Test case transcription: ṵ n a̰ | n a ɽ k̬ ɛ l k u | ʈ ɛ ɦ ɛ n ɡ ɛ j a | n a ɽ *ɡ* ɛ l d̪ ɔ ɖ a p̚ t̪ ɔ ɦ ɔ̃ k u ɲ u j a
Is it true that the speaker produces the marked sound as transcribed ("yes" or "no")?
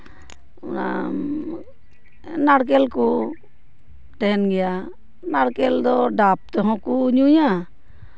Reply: no